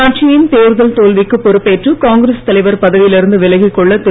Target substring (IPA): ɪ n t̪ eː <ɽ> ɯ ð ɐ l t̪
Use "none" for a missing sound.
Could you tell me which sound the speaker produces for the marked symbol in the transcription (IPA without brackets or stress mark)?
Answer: ɾ